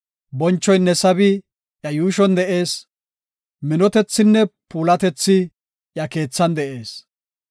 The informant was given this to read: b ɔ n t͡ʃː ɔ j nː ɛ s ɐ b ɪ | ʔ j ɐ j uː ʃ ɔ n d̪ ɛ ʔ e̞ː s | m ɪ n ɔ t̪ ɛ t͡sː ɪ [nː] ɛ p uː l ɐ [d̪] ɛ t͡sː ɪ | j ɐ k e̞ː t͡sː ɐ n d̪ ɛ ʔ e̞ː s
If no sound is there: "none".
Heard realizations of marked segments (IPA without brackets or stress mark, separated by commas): nː, t̪